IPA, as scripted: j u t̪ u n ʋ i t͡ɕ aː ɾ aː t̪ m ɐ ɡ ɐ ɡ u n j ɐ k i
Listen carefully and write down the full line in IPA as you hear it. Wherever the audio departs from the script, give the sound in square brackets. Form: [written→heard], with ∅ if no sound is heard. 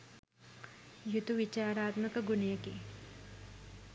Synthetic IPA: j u t̪ u [n→∅] ʋ i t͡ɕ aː ɾ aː t̪ m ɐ [ɡ→k] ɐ ɡ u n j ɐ k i